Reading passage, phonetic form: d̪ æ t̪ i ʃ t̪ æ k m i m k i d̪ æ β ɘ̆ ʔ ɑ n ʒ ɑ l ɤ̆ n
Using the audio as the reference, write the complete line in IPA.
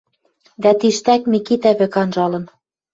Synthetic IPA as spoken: d̪ æ t̪ i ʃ t̪ æ k m i k i t̪ æ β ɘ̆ k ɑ n ʒ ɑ l ɤ̆ n